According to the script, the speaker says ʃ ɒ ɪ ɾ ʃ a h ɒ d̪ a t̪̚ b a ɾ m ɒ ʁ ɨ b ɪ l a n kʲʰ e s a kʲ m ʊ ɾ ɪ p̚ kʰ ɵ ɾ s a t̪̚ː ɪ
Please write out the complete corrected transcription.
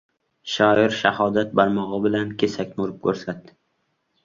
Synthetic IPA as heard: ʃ ɒ ɪ ɾ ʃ a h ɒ d̪ a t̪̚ b a ɾ m ɒ ʁ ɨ b ɪ l a n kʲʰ e s a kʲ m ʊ ɾ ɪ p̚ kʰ ɵ ɾ s a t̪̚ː ɪ